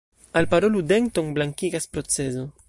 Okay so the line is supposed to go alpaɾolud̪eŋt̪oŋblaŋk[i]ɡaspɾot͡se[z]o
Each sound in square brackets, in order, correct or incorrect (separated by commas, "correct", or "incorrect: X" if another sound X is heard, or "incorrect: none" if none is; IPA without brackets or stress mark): correct, correct